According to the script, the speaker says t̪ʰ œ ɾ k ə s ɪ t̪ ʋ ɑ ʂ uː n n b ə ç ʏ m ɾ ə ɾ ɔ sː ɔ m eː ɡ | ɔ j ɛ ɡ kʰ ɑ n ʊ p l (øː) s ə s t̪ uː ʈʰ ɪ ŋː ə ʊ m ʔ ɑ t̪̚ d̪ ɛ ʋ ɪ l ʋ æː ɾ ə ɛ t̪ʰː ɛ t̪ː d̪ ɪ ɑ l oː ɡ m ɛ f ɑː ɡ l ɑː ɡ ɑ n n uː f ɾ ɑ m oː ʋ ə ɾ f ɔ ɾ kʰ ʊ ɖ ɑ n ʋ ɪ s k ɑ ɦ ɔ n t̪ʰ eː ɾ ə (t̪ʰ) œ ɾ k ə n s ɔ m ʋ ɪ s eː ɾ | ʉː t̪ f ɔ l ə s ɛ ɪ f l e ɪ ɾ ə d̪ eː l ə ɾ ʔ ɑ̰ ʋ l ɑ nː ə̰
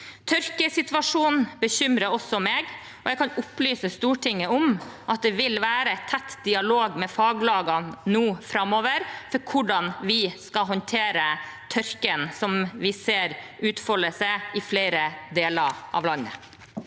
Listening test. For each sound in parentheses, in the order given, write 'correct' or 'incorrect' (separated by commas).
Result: incorrect, correct